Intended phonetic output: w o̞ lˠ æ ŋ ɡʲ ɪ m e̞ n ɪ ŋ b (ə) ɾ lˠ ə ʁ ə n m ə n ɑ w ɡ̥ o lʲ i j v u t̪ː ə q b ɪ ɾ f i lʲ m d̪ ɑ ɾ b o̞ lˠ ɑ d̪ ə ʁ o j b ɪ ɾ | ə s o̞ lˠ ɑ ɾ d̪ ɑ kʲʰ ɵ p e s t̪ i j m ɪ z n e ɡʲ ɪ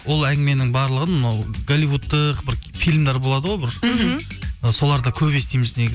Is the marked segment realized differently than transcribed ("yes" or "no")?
yes